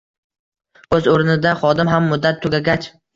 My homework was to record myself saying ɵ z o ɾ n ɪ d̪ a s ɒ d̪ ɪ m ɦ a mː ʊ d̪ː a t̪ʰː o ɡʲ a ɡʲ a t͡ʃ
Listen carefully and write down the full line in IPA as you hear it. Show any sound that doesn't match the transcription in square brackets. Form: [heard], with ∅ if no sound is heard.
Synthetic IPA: ɵ z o ɾ n ɪ d̪ a [χ] ɒ d̪ ɪ m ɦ a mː ʊ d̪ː a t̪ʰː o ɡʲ a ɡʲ a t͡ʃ